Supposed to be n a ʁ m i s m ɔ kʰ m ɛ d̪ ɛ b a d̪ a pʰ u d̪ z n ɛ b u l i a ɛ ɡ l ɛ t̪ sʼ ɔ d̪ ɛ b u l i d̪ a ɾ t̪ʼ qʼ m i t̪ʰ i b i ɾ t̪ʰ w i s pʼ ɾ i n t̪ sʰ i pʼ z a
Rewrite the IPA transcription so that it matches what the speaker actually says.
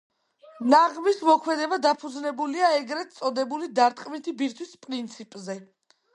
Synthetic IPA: n a ʁ m i s m ɔ kʰ m ɛ d̪ ɛ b a d̪ a pʰ u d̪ z n ɛ b u l i a ɛ ɡ ɾ ɛ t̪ sʼ ɔ d̪ ɛ b u l i d̪ a ɾ t̪ʼ qʼ m i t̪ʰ i b i ɾ t̪ʰ w i s pʼ ɾ i n t̪ sʰ i pʼ z ɛ

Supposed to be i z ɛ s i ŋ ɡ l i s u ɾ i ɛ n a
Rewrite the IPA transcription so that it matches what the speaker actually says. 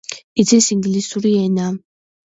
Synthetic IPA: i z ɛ s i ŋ ɡ l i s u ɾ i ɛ n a

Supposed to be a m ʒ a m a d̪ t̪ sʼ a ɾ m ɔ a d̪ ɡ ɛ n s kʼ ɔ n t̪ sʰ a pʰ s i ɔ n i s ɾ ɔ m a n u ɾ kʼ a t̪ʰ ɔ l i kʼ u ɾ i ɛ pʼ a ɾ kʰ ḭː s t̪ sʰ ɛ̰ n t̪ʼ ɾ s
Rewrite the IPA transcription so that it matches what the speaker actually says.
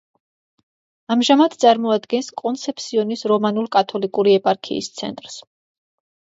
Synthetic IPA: a m ʒ a m a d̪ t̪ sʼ a ɾ m ɔ a d̪ ɡ ɛ n s kʼ ɔ n t̪ sʰ ɛ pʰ s i ɔ n i s ɾ ɔ m a n u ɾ kʼ a t̪ʰ ɔ l i kʼ u ɾ i ɛ pʼ a ɾ kʰ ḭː s t̪ sʰ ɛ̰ n t̪ʼ ɾ s

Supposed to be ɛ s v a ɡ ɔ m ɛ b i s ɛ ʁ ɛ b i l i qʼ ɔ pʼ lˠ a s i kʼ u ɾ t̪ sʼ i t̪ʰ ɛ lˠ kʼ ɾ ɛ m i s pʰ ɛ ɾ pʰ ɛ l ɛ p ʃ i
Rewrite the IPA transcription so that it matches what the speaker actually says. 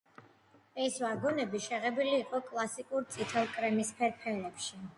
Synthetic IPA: ɛ s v a ɡ ɔ n ɛ b i ʃ ɛ ʁ ɛ b i l iː qʼ ɔ kʼ lˠ a s i kʼ u ɾ t̪ sʼ i t̪ʰ ɛ lˠ kʼ ɾ ɛ m i s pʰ ɛ ɾ pʰ ɛ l ɛ p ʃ i

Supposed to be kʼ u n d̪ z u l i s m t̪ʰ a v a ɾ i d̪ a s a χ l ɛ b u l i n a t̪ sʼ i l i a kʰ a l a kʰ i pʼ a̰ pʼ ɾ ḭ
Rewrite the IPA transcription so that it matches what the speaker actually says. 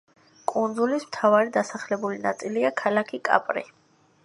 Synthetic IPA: kʼ u n d̪ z u l i s m t̪ʰ a v a ɾ i d̪ a s a χ l ɛ b u l i n a t̪ sʼ i l i a kʰ a l a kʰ i kʼ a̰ pʼ ɾ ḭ

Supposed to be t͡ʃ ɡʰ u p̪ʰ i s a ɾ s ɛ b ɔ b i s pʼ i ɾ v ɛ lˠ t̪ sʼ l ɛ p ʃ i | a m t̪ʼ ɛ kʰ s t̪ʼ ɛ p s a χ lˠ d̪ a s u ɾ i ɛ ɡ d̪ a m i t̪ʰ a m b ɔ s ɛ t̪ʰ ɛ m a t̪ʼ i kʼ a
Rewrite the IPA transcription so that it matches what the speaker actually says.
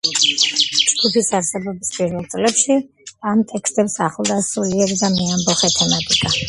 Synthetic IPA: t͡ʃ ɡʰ u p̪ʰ i s a ɾ s ɛ b ɔ b i s pʼ i ɾ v ɛ lˠ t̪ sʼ l ɛ p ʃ i | a m t̪ʼ ɛ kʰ s t̪ʼ ɛ p s a χ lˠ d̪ a s u l i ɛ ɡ d̪ a m i a m b ɔ χ ɛ t̪ʰ ɛ m a t̪ʼ i kʼ a

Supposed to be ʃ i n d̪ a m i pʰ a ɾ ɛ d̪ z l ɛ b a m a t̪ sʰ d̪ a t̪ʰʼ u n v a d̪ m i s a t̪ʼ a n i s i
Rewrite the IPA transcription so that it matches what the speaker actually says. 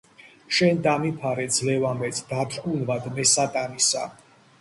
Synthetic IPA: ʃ ɛ n d̪ a m i pʰ a ɾ ɛ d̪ z l ɛ v a m ɛ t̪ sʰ d̪ a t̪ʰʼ u n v a d̪ m ɛ s a t̪ʼ a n i s a

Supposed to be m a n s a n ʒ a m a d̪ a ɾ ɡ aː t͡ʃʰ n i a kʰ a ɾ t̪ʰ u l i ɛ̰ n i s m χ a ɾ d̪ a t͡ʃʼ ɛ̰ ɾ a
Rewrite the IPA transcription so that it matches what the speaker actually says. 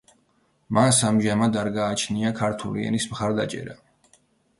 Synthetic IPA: m a n s a m ʒ a m a d̪ a ɾ ɡ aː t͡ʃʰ n i a kʰ a ɾ t̪ʰ u l i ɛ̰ n i s m χ a ɾ d̪ a t͡ʃʼ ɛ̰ ɾ a

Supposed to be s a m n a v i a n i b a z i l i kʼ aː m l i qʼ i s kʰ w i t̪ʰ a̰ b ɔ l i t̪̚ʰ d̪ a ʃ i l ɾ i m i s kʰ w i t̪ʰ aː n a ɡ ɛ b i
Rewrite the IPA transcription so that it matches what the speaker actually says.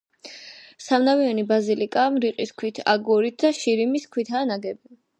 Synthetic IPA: s a m n a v i a n i b a z i l i kʼ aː m ɾ i qʼ i s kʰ w i t̪ʰ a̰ ɡ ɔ ɾ i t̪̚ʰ d̪ a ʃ i ɾ i m i s kʰ w i t̪ʰ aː n a ɡ ɛ b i

